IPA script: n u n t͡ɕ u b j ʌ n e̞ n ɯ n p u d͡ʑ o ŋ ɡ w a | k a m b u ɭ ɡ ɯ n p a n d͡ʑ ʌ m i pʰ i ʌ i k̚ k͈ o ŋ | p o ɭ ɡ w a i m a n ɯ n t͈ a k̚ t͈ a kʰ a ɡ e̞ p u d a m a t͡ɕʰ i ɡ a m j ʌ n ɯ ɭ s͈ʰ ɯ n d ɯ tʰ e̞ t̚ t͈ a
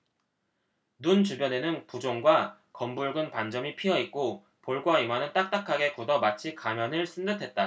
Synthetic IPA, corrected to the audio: n u n t͡ɕ u b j ʌ n e̞ n ɯ n p u d͡ʑ o ŋ ɡ w a | k ʌ m b u ɭ ɡ ɯ n p a n d͡ʑ ʌ m i pʰ i ʌ i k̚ k͈ o | p o ɭ ɡ w a i m a n ɯ n t͈ a k̚ t͈ a kʰ a ɡ e̞ k u d ʌ m a t͡ɕʰ i k a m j ʌ n ɯ ɭ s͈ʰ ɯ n d ɯ tʰ e̞ t̚ t͈ a